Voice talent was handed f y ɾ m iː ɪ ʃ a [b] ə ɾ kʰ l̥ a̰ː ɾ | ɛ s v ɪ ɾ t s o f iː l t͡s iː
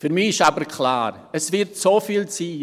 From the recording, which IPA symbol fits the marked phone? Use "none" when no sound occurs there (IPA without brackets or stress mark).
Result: b